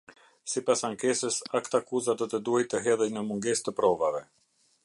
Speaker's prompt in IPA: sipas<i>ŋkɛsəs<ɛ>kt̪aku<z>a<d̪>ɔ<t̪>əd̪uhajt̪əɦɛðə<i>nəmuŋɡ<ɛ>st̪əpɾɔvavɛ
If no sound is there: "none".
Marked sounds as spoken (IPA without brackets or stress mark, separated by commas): a, a, z, d̪, t̪, j, ɛ